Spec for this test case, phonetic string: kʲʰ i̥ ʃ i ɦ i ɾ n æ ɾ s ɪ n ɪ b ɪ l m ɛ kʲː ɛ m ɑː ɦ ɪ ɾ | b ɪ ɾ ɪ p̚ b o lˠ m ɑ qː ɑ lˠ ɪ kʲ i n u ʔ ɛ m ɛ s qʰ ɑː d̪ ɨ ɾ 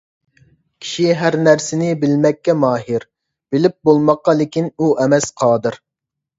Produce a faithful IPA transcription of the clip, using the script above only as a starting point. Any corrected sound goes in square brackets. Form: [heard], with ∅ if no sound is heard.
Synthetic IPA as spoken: kʲʰ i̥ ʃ i ɦ [æ] ɾ n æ ɾ s ɪ n ɪ b ɪ l m ɛ kʲː ɛ m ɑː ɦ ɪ ɾ | b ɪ [l] ɪ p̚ b o lˠ m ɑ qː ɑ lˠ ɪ kʲ i n u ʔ ɛ m ɛ s qʰ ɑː d̪ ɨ ɾ